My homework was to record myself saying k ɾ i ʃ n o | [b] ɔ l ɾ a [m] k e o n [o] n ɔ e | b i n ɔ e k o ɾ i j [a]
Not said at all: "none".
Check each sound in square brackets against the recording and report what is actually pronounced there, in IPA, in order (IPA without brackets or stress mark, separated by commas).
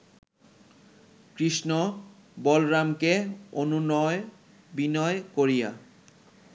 b, m, u, a